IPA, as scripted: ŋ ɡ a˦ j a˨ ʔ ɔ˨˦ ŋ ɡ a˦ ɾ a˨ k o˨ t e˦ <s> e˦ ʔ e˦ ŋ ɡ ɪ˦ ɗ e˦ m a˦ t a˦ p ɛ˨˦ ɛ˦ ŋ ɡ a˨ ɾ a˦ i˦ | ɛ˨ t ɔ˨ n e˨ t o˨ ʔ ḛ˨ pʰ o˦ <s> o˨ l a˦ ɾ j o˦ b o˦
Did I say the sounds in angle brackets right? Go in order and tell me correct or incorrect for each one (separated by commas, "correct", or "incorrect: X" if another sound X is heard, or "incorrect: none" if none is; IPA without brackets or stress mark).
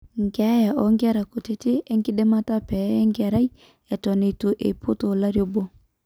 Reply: incorrect: t, incorrect: t